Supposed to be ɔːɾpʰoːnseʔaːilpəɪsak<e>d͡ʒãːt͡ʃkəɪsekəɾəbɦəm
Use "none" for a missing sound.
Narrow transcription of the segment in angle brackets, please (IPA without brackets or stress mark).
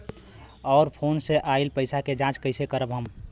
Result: e